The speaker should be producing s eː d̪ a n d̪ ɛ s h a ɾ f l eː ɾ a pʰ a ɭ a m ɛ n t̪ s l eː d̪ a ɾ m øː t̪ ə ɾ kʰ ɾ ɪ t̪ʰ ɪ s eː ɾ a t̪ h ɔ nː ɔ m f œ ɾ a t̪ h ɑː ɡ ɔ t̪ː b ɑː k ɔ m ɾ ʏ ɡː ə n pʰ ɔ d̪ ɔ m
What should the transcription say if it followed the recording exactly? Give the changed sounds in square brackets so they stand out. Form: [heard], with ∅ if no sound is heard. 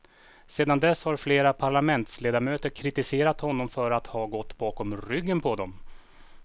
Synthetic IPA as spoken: s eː d̪ a n d̪ ɛ s h a ɾ f l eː ɾ a pʰ a ɭ a m ɛ n t̪ s l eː d̪ a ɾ m øː t̪ ə ɾ kʰ ɾ ɪ [t̪] ɪ s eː ɾ a t̪ h ɔ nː ɔ m f œ ɾ a t̪ h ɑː ɡ ɔ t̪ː b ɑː k ɔ m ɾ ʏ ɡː ə n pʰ ɔ d̪ ɔ m